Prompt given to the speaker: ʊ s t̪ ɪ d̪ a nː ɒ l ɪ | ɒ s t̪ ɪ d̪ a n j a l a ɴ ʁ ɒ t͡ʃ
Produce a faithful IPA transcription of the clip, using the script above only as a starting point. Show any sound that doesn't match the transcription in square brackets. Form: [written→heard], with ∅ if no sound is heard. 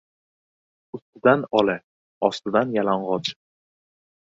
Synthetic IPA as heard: ʊ s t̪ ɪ d̪ a [nː→n] ɒ l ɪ | ɒ s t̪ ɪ d̪ a n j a l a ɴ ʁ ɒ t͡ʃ

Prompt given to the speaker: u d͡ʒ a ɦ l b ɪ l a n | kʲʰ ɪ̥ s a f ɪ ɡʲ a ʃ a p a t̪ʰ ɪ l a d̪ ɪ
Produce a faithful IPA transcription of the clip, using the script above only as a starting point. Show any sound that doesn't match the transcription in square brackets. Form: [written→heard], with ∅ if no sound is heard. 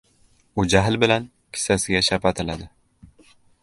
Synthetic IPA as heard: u d͡ʒ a ɦ l b ɪ l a n | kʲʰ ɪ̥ s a [f→s] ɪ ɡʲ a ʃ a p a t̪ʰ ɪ l a d̪ ɪ

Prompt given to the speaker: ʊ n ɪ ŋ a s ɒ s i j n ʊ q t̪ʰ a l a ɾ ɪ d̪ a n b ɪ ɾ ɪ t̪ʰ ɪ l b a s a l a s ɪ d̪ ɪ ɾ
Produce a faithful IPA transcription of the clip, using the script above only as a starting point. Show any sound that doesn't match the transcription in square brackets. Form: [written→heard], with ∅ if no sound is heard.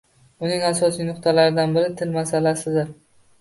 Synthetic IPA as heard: ʊ n ɪ ŋ a s ɒ s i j n ʊ q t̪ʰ a l a ɾ ɪ d̪ a n b ɪ ɾ ɪ t̪ʰ ɪ l [b→m] a s a l a s ɪ d̪ ɪ ɾ

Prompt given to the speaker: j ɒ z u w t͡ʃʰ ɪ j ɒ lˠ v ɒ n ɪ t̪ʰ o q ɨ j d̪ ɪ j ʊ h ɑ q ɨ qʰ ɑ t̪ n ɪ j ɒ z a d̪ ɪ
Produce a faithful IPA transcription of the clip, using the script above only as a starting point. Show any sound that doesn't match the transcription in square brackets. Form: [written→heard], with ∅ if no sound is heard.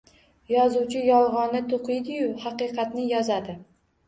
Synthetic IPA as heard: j ɒ z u w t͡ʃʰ ɪ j ɒ lˠ [v→ʁ] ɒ n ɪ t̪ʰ o q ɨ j d̪ ɪ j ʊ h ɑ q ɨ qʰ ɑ t̪ n ɪ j ɒ z a d̪ ɪ

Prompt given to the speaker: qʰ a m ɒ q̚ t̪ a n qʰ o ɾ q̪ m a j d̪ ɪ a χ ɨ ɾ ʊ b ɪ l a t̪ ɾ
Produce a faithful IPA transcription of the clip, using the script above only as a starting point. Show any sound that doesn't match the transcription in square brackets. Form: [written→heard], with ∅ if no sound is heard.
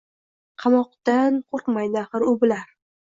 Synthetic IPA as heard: qʰ [a→ɑ] m ɒ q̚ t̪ a n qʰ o ɾ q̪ m a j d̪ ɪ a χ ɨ ɾ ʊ b ɪ l a [t̪→∅] ɾ

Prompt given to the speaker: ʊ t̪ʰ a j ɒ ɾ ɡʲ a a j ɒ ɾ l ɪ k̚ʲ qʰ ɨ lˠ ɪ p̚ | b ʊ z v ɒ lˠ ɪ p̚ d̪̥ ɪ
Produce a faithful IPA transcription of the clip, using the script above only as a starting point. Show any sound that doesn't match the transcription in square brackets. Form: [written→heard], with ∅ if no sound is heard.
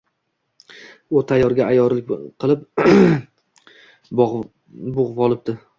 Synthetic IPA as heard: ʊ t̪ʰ a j ɒ ɾ ɡʲ a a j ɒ ɾ l ɪ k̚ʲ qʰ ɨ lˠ ɪ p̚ | b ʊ [z→ʁ] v ɒ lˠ ɪ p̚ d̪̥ ɪ

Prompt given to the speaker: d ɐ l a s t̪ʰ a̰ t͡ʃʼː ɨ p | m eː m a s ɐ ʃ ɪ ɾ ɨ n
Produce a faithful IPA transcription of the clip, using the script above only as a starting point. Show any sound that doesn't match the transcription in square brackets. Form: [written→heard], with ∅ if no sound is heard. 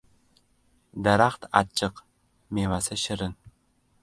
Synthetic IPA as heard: d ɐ [l→ɾ] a [s→χ] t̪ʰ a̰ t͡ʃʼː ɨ [p→q] | m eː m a s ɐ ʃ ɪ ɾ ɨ n

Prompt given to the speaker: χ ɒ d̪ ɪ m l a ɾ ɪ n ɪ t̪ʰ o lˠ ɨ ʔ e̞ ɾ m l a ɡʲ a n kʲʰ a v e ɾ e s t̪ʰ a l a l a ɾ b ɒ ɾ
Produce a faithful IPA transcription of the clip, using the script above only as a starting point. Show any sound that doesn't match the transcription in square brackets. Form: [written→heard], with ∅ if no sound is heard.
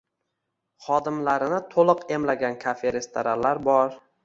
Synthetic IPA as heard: χ ɒ d̪ ɪ m l a ɾ ɪ n ɪ t̪ʰ o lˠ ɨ [ʔ→q] e̞ [ɾ→∅] m l a ɡʲ a n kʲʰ a [v→f] e ɾ e s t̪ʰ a [l→ɾ] a l a ɾ b ɒ ɾ

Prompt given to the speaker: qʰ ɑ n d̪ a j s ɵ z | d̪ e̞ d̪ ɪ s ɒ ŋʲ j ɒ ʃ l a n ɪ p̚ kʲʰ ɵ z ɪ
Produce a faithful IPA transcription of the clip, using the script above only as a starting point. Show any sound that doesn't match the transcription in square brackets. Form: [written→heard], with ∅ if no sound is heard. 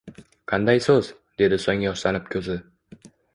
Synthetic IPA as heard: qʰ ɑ n d̪ a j s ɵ z | d̪ e̞ d̪ ɪ s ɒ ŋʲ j ɒ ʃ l a n ɪ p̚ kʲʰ ɵ z ɪ

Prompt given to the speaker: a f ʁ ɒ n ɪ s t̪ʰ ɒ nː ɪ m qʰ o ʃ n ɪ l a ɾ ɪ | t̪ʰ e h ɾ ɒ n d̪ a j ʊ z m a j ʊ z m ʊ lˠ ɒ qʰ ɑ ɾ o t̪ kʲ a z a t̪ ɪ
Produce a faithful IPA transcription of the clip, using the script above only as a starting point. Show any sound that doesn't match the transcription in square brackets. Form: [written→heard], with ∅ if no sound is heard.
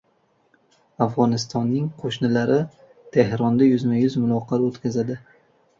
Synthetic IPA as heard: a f ʁ ɒ n ɪ s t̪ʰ ɒ nː ɪ [m→ŋ] qʰ o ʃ n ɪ l a ɾ ɪ | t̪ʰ e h ɾ ɒ n d̪ a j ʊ z m a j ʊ z m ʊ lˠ ɒ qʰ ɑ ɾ o t̪ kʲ a z a [t̪→d̪] ɪ

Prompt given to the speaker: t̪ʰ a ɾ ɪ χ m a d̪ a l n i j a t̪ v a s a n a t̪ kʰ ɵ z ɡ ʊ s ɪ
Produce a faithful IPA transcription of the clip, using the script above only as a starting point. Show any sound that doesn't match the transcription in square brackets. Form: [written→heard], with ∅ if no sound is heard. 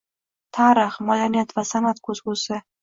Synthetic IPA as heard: t̪ʰ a ɾ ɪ χ m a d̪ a [l→ɾ] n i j a t̪ v a s a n a t̪ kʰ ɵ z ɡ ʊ s ɪ

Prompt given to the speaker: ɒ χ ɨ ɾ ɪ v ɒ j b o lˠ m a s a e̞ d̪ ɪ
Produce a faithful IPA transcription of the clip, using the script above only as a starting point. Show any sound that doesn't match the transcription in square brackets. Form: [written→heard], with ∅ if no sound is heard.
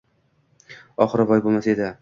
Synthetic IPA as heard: ɒ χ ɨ ɾ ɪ [v→b] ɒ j b o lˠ m a s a e̞ d̪ ɪ

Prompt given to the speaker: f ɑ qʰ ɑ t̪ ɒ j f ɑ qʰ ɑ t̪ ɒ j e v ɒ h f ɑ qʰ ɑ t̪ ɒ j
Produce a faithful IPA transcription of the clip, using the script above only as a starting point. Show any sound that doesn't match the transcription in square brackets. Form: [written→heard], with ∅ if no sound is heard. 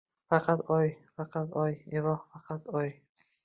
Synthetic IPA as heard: f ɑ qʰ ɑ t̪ ɒ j f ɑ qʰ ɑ t̪ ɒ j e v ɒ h f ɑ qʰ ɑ t̪ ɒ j

